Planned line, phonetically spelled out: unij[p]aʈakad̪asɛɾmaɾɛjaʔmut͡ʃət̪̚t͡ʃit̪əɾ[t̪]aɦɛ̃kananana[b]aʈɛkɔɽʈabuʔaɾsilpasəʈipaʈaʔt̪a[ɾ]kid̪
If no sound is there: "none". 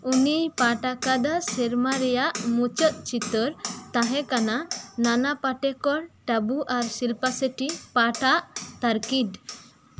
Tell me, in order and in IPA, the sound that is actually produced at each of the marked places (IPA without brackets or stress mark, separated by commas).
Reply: p, t̪, p, ɾ